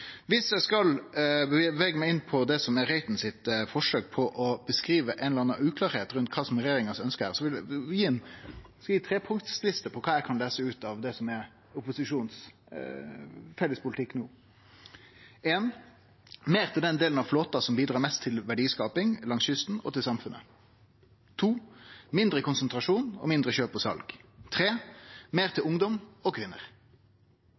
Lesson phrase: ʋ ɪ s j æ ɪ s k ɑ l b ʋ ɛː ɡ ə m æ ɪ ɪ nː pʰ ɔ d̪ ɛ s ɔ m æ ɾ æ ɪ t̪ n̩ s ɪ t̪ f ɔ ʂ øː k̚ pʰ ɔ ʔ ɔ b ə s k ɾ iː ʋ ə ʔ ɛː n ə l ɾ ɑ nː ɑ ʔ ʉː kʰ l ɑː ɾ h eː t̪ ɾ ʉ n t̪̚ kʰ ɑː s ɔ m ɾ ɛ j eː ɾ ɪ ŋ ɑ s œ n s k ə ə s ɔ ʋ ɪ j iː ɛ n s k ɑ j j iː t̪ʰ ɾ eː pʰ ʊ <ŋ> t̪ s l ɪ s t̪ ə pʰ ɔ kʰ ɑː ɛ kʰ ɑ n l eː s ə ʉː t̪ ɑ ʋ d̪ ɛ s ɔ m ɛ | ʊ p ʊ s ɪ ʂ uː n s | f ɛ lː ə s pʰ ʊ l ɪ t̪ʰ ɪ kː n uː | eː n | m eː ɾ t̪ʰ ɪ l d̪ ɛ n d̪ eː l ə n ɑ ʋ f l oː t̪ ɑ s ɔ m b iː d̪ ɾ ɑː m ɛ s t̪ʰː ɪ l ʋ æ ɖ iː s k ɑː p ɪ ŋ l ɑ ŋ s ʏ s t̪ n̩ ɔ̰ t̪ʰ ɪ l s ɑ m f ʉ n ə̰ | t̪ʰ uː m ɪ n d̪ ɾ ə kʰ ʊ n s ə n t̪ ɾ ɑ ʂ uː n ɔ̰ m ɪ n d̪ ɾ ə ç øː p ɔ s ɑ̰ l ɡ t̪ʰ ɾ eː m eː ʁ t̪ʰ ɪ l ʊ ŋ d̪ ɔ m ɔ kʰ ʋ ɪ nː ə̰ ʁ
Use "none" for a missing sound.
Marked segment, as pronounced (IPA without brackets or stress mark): ŋ